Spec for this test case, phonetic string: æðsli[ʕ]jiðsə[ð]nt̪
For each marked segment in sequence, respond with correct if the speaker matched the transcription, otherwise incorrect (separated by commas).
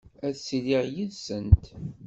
incorrect, incorrect